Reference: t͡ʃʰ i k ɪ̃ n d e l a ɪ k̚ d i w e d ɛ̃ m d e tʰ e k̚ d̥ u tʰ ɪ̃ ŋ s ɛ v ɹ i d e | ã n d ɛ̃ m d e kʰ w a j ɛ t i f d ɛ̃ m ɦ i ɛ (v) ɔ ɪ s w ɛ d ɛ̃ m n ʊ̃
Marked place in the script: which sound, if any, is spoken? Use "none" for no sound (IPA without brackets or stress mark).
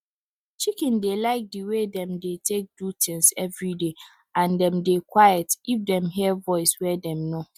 v